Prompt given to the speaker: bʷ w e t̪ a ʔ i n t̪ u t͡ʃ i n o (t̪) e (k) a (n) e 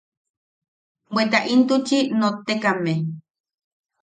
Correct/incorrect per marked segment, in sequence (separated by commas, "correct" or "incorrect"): correct, correct, incorrect